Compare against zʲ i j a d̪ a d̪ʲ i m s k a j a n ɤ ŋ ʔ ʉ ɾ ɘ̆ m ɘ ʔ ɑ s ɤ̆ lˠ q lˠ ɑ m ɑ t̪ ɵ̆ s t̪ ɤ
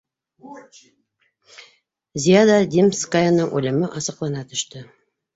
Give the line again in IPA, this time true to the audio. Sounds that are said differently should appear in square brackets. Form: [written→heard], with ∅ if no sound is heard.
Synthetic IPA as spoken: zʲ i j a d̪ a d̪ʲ i m s k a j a n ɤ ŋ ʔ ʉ [ɾ→l] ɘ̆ m ɘ ʔ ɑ s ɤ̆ [lˠ→∅] q lˠ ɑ [m→n] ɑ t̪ ɵ̆ [s→ʃ] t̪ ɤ